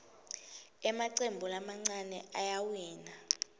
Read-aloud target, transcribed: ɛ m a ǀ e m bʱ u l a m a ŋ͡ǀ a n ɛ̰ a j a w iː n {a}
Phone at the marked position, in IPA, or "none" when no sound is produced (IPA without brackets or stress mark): a